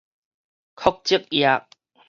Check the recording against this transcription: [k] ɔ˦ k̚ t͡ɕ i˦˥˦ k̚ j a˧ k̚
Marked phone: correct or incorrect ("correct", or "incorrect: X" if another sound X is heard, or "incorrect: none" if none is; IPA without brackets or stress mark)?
incorrect: kʰ